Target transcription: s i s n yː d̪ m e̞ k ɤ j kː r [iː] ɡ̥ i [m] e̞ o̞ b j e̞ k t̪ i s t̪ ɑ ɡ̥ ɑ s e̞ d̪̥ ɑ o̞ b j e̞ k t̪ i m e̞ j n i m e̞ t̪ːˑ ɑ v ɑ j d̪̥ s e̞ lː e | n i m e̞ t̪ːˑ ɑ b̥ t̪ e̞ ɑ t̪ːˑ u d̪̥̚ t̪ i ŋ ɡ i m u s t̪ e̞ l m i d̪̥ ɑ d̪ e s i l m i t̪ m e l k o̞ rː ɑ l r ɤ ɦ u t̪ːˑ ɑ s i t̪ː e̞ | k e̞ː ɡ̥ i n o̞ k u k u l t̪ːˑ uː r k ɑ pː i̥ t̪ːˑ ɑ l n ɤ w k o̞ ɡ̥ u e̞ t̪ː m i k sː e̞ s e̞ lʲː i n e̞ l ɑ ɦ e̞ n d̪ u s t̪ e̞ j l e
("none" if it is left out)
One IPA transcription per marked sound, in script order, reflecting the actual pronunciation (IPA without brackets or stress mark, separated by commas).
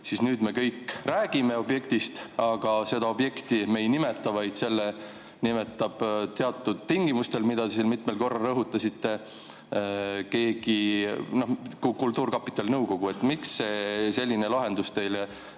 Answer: æː, m